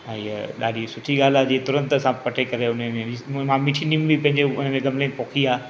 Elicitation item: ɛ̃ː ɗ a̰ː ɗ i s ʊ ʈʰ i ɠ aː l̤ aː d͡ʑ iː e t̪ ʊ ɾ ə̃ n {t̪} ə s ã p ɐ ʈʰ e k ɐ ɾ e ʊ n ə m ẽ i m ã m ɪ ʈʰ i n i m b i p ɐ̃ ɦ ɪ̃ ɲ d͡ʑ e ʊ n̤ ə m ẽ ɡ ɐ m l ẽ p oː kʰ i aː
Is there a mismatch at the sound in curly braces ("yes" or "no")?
no